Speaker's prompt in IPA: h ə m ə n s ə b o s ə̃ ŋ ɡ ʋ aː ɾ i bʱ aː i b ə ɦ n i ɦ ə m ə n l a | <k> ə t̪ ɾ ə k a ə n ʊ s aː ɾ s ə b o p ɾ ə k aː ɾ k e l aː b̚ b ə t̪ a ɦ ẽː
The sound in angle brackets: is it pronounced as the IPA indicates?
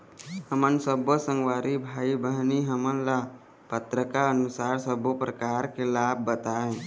no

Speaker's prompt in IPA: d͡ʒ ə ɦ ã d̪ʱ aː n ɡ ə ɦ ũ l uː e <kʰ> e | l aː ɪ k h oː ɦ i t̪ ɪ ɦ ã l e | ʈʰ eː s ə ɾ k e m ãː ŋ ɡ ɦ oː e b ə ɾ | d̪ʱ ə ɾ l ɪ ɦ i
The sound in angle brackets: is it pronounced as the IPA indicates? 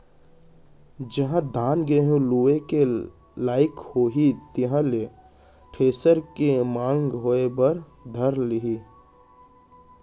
no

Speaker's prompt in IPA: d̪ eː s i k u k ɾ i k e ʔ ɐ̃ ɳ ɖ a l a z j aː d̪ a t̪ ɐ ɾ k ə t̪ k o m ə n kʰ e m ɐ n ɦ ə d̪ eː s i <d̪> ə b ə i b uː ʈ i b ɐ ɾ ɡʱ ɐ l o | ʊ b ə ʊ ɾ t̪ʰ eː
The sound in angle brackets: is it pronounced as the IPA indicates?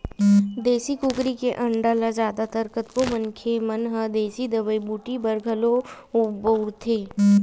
yes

